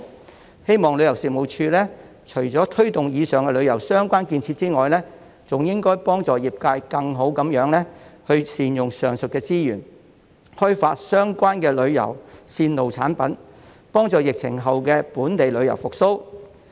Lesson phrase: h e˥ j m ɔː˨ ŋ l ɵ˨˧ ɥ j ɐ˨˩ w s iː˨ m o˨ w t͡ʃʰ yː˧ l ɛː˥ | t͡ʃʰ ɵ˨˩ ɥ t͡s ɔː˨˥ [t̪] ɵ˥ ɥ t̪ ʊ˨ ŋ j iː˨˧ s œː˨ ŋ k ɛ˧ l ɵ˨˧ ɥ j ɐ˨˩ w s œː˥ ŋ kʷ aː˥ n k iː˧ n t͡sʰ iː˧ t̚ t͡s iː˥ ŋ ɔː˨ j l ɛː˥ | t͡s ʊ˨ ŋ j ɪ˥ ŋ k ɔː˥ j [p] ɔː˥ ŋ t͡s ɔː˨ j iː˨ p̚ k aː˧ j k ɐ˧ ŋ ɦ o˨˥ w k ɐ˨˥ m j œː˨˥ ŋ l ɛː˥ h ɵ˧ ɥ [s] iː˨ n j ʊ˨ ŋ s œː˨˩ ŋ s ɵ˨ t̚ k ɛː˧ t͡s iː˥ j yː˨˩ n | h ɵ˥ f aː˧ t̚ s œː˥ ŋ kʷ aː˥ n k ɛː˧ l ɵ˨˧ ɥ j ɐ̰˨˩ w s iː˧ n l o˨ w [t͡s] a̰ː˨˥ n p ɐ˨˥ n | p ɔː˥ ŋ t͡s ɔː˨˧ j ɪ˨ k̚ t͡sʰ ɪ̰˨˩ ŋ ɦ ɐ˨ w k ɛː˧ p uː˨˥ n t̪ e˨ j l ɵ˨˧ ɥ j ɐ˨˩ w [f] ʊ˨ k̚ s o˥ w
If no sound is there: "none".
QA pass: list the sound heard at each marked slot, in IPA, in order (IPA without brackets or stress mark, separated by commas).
t̪ʰ, p, s, t͡sʰ, f